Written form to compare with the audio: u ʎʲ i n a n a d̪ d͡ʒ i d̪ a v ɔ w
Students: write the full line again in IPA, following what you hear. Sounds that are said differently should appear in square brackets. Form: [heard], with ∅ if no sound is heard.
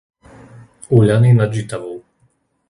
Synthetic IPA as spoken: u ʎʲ [a] n [i] n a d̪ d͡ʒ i [t̪] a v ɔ w